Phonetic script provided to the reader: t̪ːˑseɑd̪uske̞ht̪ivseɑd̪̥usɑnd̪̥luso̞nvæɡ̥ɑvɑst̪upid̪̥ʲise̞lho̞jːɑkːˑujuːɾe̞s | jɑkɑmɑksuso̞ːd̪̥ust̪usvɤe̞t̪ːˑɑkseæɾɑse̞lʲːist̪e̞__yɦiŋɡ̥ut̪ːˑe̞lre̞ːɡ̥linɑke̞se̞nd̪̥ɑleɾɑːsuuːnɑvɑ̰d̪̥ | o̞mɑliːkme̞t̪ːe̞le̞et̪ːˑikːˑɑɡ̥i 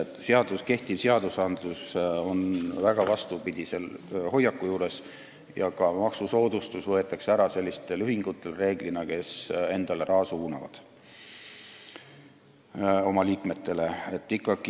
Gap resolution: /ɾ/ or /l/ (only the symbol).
l